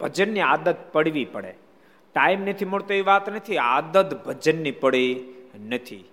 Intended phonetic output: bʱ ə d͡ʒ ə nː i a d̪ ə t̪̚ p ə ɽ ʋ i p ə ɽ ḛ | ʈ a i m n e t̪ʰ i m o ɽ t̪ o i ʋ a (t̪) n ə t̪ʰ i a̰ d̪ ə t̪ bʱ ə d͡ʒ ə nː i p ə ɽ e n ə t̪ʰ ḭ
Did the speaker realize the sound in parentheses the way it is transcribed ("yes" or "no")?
yes